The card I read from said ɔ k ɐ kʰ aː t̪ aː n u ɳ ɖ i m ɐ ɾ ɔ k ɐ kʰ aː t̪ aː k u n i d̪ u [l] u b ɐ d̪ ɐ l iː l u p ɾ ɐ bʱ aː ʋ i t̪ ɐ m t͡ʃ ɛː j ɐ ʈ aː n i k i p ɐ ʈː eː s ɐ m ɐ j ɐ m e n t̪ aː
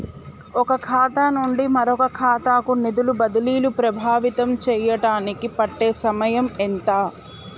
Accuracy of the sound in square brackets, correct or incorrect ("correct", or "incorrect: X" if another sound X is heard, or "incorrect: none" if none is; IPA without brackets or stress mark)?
correct